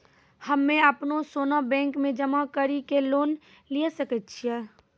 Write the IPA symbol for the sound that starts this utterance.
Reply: h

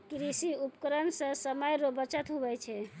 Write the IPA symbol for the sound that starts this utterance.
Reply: k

